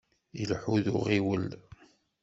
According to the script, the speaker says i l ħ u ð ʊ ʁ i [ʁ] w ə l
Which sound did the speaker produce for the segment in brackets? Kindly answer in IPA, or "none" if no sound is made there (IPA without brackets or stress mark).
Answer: none